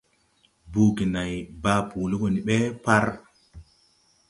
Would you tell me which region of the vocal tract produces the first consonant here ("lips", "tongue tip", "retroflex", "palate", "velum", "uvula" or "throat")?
lips